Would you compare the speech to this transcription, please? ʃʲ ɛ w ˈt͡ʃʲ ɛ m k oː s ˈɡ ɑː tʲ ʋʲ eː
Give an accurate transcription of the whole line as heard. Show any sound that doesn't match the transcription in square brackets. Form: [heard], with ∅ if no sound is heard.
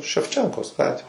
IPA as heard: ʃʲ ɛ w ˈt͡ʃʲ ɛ [ŋ] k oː s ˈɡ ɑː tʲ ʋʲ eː